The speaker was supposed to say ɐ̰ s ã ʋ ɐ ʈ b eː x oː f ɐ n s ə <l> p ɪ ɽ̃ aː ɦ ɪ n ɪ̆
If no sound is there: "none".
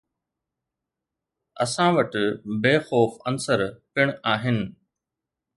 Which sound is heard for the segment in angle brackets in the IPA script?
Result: ɾ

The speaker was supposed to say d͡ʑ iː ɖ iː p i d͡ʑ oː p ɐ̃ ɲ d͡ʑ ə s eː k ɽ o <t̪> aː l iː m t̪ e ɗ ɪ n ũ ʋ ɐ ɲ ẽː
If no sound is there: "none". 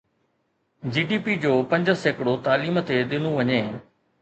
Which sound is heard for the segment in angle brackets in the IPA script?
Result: t̪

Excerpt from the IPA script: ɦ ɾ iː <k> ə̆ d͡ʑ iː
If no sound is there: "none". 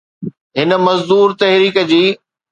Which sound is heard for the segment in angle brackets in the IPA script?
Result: k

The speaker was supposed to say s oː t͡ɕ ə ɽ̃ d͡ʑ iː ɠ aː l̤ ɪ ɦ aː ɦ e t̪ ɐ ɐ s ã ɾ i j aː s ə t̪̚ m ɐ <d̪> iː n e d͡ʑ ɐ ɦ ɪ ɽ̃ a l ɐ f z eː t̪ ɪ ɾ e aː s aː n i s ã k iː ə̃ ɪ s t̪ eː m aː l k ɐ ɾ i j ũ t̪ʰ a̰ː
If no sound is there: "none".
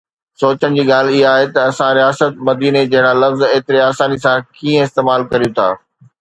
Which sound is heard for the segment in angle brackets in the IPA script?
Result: d̪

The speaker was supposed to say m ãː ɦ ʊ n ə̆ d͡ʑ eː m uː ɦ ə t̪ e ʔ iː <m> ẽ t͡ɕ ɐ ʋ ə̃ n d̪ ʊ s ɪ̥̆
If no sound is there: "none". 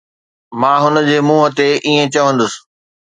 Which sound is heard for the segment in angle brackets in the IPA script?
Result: none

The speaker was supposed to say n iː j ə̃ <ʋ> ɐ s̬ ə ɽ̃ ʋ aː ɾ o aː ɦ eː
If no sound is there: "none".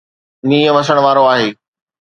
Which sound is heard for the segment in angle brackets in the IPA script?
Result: ʋ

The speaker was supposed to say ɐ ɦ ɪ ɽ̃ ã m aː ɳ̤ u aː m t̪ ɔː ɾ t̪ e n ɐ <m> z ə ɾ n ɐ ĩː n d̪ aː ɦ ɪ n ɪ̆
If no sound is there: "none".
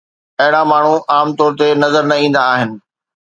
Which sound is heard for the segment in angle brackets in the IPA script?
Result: none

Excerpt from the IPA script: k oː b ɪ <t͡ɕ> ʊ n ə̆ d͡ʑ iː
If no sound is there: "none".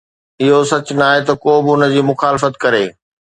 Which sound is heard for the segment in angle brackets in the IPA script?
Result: none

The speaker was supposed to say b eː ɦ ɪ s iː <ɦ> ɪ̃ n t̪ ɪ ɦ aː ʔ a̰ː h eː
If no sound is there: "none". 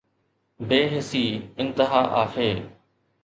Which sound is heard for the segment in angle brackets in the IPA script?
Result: none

